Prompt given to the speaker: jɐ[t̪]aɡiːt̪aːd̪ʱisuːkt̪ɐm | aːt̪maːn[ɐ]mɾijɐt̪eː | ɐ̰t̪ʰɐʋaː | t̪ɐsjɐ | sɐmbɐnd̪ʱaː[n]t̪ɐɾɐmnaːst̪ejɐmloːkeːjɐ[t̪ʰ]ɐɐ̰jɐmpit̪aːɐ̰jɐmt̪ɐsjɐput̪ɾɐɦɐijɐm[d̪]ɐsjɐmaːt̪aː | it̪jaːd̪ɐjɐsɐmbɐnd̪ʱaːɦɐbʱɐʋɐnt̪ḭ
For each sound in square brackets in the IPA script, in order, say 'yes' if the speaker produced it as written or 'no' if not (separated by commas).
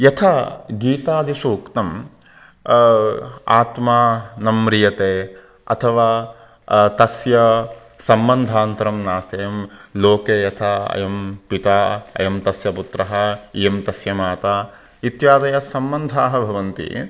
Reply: no, yes, yes, yes, no